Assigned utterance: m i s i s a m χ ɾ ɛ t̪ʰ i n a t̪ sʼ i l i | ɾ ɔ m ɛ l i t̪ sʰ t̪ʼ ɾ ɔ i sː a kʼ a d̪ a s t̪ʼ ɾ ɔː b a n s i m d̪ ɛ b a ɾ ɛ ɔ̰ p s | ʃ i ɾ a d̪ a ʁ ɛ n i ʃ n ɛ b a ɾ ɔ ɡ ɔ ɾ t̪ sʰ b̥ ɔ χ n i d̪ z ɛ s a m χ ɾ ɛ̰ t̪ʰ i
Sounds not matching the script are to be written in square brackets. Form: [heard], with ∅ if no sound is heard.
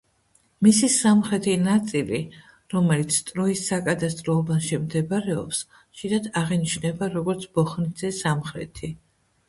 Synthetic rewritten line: m i s i s a m χ ɾ ɛ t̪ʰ i n a t̪ sʼ i l i | ɾ ɔ m ɛ l i t̪ sʰ t̪ʼ ɾ ɔ i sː a kʼ a d̪ a s t̪ʼ ɾ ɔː b a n [ʃ] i m d̪ ɛ b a ɾ ɛ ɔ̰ p s | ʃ i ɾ a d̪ a ʁ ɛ n i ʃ n ɛ b a ɾ ɔ ɡ ɔ ɾ t̪ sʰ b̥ ɔ χ n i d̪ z ɛ s a m χ ɾ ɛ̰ t̪ʰ i